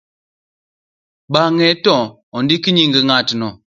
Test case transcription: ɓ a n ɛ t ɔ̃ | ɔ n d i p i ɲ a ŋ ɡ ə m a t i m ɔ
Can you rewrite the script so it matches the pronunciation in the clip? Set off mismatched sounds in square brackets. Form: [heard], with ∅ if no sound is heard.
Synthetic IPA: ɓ a [ŋ] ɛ t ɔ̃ | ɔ n d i [k] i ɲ [i] ŋ ɡ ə [ŋ] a t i [n] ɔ